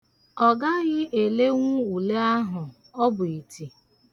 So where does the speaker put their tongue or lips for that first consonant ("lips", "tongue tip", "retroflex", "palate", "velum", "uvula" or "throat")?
velum